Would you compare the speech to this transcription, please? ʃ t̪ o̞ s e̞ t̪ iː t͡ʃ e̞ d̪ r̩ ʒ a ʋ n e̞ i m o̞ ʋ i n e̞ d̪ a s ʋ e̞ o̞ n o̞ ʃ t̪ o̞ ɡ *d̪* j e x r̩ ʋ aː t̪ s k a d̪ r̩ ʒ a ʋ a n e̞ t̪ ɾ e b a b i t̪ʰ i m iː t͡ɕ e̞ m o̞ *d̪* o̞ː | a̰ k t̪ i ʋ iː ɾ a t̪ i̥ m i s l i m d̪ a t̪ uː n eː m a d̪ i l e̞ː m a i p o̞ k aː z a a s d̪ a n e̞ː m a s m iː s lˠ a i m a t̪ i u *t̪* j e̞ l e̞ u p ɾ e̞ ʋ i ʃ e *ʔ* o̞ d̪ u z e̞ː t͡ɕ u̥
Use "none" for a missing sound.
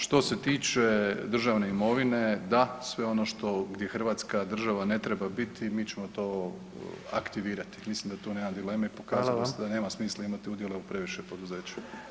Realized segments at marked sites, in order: d̪, t̪, d̪, p

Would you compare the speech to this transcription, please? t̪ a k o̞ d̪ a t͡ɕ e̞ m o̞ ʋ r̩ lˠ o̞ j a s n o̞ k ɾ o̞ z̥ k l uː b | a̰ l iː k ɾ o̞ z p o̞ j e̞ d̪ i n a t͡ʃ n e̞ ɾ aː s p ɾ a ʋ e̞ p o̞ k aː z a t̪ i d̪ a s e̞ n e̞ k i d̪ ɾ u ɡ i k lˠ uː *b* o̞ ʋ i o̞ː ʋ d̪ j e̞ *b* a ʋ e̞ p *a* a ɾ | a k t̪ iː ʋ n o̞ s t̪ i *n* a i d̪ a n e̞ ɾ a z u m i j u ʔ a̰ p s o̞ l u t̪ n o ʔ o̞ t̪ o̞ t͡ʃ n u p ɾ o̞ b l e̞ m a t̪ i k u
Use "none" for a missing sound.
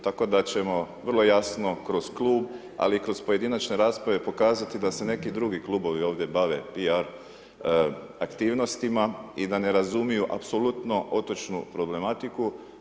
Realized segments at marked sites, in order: b, b, i, m

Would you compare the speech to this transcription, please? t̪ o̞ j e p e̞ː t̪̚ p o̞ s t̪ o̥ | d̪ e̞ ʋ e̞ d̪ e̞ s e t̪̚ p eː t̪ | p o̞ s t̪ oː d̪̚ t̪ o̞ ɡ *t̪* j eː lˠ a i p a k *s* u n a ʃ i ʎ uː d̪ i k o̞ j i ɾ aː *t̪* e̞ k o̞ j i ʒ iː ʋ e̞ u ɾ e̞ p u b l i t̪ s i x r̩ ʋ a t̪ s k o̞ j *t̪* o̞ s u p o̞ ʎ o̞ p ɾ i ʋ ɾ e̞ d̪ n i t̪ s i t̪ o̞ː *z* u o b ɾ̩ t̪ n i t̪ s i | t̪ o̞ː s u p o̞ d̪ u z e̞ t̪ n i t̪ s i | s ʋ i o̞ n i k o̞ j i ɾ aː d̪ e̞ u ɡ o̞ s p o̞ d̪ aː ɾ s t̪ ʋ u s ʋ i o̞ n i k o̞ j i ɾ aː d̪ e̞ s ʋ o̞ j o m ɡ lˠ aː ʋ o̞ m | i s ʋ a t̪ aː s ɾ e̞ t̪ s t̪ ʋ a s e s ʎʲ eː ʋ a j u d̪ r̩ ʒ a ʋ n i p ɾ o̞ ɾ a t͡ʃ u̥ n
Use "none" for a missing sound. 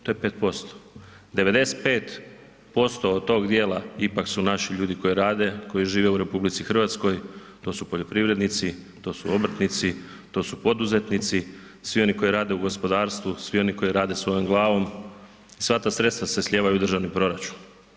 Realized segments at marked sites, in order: d̪, s, d̪, t̪, s

